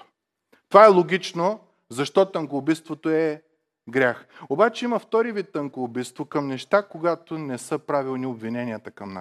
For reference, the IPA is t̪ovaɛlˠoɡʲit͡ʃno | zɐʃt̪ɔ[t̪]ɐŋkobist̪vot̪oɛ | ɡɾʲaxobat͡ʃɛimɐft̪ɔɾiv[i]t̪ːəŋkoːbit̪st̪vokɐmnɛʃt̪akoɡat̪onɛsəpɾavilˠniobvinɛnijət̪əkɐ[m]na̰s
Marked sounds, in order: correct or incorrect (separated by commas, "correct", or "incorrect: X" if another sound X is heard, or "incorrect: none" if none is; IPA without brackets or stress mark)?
correct, correct, correct